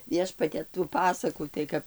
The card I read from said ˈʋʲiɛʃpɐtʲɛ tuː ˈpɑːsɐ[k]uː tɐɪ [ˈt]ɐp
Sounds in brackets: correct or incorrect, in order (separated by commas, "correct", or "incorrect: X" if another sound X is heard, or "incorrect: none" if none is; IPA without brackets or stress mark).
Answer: correct, incorrect: k